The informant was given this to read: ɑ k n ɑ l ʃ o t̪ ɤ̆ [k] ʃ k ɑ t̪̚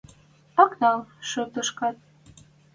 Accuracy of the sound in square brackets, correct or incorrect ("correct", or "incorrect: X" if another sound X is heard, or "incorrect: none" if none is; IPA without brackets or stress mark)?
incorrect: none